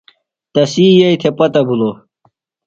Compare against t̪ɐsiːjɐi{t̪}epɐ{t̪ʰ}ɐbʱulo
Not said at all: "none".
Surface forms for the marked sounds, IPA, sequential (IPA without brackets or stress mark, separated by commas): t̪ʰ, t̪